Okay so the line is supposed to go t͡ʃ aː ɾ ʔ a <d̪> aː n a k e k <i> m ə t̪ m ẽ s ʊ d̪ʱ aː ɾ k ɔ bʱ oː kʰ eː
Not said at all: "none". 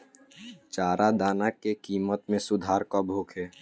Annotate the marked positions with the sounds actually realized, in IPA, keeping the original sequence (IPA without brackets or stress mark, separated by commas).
d̪, iː